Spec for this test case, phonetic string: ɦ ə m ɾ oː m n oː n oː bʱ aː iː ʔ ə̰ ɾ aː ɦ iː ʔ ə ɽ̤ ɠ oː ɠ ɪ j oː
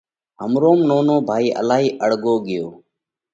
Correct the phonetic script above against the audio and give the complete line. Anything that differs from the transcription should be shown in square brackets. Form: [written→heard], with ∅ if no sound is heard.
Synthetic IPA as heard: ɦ ə m ɾ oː m n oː n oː bʱ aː iː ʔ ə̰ [ɾ→l] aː ɦ iː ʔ ə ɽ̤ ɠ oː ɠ ɪ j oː